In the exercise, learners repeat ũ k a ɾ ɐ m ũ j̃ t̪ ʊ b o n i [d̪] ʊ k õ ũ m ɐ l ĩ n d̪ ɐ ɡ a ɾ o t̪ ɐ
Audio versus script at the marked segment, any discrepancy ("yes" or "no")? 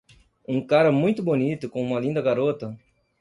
yes